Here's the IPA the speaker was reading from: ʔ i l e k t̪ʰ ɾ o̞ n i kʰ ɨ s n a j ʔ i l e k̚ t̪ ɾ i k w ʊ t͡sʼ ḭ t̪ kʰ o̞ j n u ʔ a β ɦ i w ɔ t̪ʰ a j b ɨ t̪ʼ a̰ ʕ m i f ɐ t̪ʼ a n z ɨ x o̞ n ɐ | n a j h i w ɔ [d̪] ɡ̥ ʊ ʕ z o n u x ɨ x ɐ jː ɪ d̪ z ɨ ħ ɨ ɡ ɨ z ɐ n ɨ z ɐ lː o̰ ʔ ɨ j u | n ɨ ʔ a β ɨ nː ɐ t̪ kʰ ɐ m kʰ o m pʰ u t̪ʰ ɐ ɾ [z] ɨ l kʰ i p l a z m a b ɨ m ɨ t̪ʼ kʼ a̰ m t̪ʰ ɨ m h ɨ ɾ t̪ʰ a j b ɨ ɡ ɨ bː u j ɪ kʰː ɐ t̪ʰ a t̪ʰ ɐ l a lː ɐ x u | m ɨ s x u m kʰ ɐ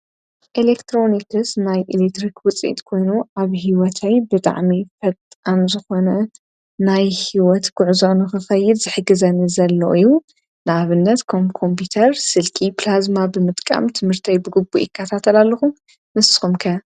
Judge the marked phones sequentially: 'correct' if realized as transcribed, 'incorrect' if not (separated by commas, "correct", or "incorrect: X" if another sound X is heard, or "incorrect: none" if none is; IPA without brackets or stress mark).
incorrect: t̪, incorrect: s